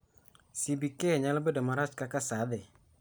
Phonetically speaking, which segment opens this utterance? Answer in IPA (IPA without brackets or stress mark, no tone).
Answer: s